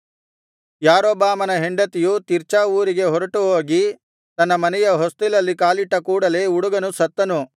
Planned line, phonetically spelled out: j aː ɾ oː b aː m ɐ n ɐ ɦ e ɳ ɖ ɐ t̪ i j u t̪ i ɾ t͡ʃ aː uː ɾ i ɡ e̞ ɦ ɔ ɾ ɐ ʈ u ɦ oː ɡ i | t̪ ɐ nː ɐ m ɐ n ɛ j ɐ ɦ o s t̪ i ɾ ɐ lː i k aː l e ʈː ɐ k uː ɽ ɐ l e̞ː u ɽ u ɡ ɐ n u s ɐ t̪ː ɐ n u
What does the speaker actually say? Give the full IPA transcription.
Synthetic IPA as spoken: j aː ɾ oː b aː m ɐ n ɐ ɦ e ɳ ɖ ɐ t̪ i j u t̪ i ɾ t͡ʃ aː uː ɾ i ɡ e̞ ɦ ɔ ɾ ɐ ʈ u ɦ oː ɡ i | t̪ ɐ nː ɐ m ɐ n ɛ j ɐ ɦ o s t̪ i l ɐ lː i k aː l i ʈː ɐ k uː ɽ ɐ l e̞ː u ɽ u ɡ ɐ n u s ɐ t̪ː ɐ n u